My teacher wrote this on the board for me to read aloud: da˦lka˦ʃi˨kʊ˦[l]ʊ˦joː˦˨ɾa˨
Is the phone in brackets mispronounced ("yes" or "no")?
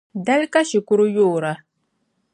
yes